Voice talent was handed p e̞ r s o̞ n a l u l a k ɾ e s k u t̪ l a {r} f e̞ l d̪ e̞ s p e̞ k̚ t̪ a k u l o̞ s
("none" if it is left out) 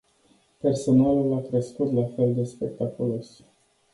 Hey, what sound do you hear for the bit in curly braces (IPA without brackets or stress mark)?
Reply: none